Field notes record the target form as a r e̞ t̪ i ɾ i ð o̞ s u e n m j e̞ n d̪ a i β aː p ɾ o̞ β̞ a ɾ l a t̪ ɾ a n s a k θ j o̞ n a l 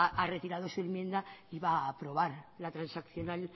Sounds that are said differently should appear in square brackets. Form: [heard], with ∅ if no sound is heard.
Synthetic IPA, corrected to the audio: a r e̞ t̪ i ɾ [a] ð o̞ s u e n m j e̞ n d̪ a i β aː p ɾ o̞ β̞ a ɾ l a t̪ ɾ a n s a k θ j o̞ n a l